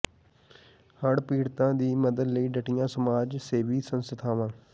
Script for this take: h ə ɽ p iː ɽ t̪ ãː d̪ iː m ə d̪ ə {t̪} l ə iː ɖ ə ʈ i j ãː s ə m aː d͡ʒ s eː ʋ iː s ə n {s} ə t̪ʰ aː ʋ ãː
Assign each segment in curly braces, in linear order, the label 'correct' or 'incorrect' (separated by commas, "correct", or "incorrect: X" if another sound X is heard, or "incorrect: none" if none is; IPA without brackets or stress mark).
incorrect: d̪, correct